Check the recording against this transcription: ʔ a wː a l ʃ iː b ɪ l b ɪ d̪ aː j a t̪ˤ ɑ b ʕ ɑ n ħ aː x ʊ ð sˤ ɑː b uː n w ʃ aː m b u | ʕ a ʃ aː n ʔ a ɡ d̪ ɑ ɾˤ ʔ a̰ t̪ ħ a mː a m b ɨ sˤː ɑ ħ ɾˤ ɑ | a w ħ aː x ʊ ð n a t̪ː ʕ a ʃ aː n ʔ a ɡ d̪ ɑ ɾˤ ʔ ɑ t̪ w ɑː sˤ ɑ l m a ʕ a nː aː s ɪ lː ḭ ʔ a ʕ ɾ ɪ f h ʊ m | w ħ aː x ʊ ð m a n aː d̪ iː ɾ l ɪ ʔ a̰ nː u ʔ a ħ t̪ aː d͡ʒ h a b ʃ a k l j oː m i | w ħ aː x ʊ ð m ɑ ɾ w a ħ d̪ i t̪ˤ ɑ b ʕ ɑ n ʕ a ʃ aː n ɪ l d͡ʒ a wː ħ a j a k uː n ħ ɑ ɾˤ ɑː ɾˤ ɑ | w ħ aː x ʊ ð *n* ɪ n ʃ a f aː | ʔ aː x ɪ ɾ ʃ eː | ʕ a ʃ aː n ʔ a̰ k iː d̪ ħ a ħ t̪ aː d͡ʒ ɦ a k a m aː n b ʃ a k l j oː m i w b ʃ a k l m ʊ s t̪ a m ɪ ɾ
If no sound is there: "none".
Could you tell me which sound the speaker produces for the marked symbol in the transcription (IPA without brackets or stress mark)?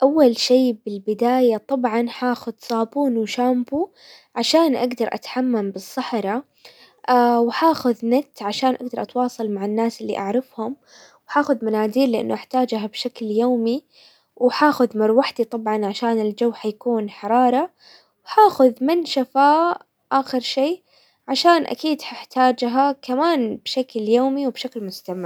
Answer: m